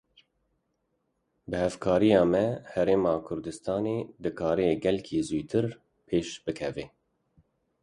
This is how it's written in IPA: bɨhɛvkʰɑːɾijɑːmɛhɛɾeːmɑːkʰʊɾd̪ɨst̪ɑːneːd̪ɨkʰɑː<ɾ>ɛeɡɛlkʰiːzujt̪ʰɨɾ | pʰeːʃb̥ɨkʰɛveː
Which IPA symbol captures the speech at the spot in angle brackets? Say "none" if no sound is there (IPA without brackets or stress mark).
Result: ɾ